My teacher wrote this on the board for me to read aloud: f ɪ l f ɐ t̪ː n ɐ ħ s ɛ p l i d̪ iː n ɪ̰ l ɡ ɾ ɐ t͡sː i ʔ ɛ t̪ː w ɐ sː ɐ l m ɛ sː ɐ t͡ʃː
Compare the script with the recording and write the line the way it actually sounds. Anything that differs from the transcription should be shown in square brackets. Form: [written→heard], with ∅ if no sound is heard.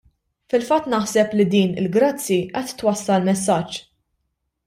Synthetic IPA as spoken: f ɪ l f ɐ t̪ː n ɐ ħ s ɛ p l i d̪ iː n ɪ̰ l ɡ ɾ ɐ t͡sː i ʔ ɛ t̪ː w ɐ sː ɐ l m ɛ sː ɐ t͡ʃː